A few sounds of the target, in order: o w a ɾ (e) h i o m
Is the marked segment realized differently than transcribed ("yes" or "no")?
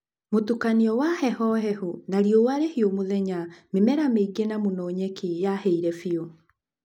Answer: no